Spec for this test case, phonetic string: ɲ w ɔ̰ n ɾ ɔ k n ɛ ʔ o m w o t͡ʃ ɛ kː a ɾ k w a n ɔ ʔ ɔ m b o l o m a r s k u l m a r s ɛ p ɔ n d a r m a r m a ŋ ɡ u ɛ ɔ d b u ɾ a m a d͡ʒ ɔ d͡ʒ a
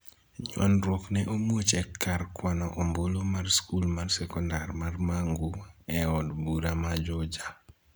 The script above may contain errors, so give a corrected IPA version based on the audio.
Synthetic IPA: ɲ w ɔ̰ n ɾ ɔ k n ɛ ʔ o m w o t͡ʃ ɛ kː a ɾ k w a n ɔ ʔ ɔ m b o l o m a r s k u l m a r s ɛ k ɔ n d a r m a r m a ŋ ɡ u ɛ ɔ d b u ɾ a m a d͡ʒ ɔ d͡ʒ a

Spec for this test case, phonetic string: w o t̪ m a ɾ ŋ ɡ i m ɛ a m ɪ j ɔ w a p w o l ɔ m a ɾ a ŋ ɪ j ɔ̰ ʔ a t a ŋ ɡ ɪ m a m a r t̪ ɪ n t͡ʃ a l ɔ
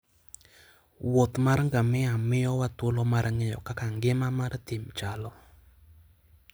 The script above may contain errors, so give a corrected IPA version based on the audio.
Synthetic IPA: w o t̪ m a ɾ ŋ ɡ a m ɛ a m ɪ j ɔ w a t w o l ɔ m a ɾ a ŋ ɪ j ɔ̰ k a k a ŋ ɡ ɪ m a m a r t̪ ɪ m t͡ʃ a l ɔ

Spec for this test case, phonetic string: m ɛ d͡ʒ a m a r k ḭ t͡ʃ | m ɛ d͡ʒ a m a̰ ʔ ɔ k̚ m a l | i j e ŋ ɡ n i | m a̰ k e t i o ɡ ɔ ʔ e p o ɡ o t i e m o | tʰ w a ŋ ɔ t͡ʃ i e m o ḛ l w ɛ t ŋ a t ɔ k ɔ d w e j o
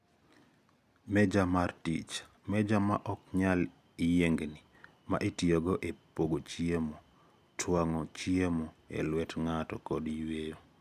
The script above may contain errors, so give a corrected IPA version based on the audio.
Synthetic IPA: m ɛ d͡ʒ a m a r t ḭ t͡ʃ | m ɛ d͡ʒ a m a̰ ʔ ɔ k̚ ɲ a l | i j e ŋ ɡ n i | m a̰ ʔ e t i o ɡ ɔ ʔ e p o ɡ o t͡ʃ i e m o | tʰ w a ŋ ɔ t͡ʃ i e m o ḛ l w ɛ t ŋ a t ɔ k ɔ d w e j o

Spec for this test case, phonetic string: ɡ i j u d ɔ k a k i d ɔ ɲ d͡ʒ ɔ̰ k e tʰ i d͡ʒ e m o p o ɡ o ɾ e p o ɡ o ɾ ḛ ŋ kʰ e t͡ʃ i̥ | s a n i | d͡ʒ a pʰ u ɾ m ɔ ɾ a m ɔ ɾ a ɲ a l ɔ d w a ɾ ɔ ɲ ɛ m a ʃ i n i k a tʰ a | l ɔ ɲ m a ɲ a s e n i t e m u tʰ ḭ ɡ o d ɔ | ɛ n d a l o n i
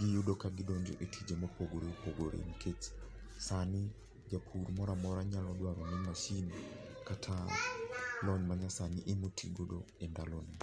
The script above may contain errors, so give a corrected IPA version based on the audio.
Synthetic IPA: ɡ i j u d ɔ k a ɡ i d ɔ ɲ d͡ʒ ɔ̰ ʔ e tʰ i d͡ʒ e m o p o ɡ o ɾ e p o ɡ o ɾ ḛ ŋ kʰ e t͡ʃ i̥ | s a n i | d͡ʒ a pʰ u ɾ m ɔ ɾ a m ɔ ɾ a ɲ a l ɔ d w a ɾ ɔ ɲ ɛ m a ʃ i n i k a tʰ a | l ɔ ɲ m a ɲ a s a n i ʔ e m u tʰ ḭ ɡ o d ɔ | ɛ n d a l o n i

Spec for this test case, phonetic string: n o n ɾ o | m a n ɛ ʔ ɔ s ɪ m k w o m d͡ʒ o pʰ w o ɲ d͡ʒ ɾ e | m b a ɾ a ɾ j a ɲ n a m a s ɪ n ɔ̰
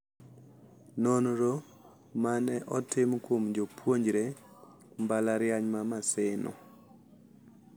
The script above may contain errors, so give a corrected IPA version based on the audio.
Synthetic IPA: n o n ɾ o | m a n ɛ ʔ ɔ t ɪ m k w o m d͡ʒ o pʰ w o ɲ d͡ʒ ɾ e | m b a l a ɾ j a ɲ m a m a s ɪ n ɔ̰

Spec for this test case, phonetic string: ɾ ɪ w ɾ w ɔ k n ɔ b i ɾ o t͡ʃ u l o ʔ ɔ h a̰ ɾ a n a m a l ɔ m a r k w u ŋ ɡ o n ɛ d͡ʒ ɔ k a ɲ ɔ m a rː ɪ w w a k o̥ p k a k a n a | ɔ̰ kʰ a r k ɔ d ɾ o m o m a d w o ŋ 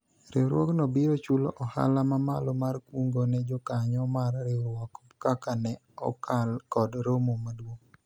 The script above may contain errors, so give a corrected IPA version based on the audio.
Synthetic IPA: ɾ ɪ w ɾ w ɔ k n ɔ b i ɾ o t͡ʃ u l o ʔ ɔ h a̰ l a m a m a l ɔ m a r k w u ŋ ɡ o n ɛ d͡ʒ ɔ k a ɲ ɔ m a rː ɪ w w a k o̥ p k a k a n ɛ | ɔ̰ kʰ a l k ɔ d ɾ o m o m a d w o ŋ

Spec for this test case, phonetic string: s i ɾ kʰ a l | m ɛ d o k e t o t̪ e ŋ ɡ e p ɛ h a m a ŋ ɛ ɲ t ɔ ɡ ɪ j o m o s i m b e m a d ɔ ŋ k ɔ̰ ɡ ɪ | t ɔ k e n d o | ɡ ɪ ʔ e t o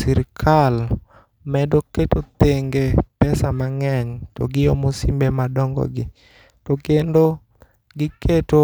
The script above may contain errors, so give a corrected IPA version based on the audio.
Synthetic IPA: s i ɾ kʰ a l | m ɛ d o k e t o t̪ e ŋ ɡ e p ɛ s a m a ŋ ɛ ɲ t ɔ ɡ ɪ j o m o s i m b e m a d ɔ ŋ ɡ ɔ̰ ɡ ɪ | t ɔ k e n d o | ɡ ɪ k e t o

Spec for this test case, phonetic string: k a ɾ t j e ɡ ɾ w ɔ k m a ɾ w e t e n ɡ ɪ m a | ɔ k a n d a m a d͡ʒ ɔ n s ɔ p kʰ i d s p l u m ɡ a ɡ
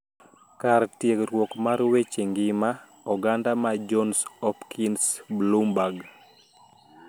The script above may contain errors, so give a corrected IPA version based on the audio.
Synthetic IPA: k a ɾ t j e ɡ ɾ w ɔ k m a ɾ w e t͡ʃ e ŋ ɡ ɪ m a | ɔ ɡ a n d a m a d͡ʒ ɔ n s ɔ p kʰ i n s b l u m b a ɡ

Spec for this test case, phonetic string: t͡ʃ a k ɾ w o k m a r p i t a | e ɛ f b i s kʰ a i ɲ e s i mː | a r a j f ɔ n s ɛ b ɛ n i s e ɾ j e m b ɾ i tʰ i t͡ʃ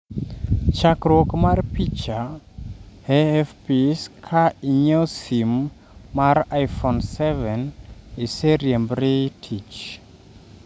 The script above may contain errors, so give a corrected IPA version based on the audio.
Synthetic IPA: t͡ʃ a k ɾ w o k m a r p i t͡ʃ a | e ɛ f p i s kʰ a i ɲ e s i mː | a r a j f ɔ n s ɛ v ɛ n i s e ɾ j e m b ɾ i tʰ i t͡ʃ

